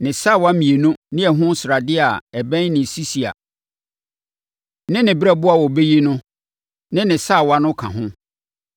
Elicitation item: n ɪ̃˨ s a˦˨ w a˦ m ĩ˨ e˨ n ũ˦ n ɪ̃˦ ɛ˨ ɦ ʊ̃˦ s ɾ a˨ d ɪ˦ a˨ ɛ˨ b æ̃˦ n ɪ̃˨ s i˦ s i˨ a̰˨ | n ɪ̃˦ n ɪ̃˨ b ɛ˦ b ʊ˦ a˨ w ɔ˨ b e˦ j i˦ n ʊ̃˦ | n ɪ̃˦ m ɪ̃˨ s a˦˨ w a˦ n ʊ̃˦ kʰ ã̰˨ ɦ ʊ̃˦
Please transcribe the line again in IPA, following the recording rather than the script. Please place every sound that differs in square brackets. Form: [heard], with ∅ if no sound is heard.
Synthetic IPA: n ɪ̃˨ s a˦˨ w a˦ m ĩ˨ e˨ n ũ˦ n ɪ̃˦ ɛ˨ ɦ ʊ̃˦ s ɾ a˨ d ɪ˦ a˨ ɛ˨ b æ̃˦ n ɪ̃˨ s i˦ s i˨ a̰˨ | n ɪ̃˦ n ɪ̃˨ b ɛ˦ b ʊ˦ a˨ w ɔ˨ b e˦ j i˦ n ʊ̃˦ | n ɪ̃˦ [n] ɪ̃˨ s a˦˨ w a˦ n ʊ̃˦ kʰ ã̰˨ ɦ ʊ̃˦